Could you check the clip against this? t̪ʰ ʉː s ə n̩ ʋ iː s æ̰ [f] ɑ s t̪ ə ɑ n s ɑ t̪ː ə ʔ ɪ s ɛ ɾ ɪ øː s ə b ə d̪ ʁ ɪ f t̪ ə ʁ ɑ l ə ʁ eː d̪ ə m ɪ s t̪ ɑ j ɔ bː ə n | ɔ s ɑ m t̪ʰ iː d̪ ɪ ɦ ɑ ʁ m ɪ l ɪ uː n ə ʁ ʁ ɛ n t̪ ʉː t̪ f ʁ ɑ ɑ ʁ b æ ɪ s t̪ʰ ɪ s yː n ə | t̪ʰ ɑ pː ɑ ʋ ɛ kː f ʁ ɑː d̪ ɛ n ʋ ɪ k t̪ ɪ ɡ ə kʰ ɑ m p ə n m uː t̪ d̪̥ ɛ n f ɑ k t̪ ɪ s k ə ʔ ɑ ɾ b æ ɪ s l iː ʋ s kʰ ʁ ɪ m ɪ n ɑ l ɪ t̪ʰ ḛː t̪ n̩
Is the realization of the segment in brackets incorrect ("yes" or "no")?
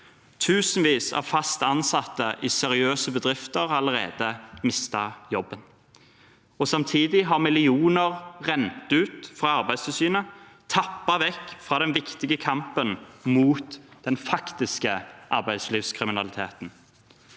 no